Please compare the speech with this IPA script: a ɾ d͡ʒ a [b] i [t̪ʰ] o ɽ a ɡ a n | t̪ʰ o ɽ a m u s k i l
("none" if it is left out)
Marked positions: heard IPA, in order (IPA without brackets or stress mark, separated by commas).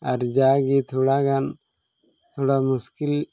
ɡ, t̪ʰ